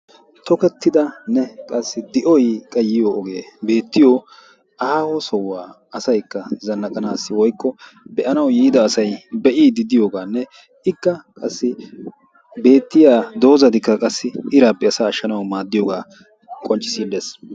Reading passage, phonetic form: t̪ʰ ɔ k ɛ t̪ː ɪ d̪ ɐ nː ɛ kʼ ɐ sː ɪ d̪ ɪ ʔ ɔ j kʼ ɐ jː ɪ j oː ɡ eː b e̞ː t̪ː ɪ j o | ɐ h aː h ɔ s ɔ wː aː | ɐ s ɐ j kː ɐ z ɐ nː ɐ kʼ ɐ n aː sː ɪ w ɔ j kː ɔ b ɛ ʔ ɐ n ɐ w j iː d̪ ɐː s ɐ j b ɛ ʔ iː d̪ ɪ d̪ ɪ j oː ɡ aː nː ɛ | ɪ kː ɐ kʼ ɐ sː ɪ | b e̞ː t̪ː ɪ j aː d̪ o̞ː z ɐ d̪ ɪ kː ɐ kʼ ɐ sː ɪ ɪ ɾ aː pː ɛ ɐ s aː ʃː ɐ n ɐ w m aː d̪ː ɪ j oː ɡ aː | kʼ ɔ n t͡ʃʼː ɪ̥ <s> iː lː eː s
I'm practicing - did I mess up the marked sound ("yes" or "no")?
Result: no